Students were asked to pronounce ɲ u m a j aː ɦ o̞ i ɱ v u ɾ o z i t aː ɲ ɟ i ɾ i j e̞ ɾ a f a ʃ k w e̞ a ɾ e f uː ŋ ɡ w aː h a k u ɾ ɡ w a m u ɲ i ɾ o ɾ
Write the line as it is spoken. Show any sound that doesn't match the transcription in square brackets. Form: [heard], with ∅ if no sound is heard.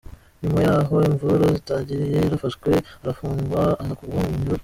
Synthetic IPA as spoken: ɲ u m a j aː ɦ o̞ i ɱ v u ɾ o z i t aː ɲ ɟ i ɾ i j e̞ ɾ a f a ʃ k w e̞ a ɾ [a] f uː ŋ ɡ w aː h a k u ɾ ɡ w a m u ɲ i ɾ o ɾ